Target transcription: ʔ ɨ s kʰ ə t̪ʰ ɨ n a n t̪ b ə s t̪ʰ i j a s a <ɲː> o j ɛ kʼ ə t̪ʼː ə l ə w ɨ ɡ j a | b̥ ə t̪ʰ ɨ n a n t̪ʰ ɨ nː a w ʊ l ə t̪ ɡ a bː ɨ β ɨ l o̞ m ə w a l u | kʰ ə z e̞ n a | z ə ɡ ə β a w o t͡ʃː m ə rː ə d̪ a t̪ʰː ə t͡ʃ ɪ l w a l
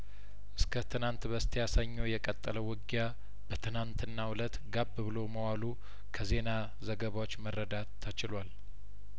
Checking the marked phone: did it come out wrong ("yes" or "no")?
no